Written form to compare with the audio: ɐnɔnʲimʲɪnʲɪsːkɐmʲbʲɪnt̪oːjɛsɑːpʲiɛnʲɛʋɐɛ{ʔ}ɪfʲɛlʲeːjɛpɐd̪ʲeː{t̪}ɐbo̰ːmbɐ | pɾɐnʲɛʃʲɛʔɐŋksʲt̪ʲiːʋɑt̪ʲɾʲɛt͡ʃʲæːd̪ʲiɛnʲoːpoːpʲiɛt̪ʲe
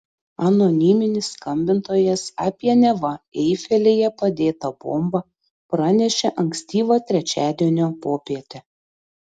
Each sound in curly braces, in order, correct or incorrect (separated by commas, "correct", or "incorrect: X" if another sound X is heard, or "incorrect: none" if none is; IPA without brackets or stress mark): incorrect: none, correct